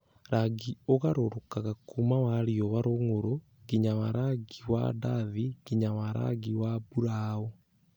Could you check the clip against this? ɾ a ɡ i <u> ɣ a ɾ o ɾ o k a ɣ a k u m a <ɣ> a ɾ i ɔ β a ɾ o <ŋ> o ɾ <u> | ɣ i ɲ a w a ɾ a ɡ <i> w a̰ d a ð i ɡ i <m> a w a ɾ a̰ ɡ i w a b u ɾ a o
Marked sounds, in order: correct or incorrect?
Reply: incorrect: o, incorrect: w, correct, incorrect: o, correct, incorrect: ɲ

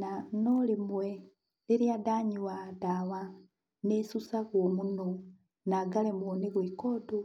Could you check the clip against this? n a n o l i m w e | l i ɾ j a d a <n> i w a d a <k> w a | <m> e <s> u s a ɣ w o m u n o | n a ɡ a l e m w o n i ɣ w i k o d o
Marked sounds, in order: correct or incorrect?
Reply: incorrect: ɲ, incorrect: none, incorrect: n, correct

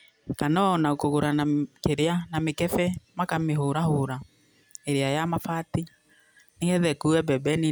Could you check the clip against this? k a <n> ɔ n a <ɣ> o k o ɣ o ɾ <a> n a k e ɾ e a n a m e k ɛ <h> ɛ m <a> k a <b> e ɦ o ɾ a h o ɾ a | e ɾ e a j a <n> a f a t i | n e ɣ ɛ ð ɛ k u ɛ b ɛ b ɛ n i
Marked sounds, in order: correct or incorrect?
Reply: correct, incorrect: none, correct, incorrect: f, correct, incorrect: m, incorrect: m

